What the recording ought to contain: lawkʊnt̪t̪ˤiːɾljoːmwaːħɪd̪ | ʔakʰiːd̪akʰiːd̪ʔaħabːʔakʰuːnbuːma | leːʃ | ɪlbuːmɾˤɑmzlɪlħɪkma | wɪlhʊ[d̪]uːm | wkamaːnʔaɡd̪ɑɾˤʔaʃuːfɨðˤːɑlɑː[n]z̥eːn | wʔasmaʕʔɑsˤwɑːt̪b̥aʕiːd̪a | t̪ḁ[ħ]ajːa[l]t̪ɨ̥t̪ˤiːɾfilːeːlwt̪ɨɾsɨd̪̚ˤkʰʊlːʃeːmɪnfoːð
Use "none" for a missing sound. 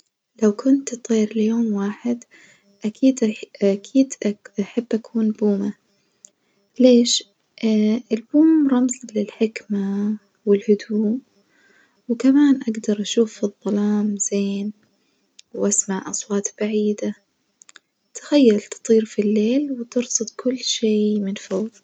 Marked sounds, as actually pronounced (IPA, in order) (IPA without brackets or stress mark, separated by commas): d̪, m, x, l